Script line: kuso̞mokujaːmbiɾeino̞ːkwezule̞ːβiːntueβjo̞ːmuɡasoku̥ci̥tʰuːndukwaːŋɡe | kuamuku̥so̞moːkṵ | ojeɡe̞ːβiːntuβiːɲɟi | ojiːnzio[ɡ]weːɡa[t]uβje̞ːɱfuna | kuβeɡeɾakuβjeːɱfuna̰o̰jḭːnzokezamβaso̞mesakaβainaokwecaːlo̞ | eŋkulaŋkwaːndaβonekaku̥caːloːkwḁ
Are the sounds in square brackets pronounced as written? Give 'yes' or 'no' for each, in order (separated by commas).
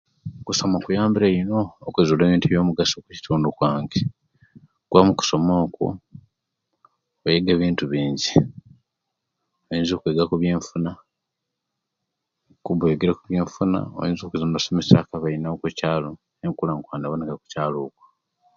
no, no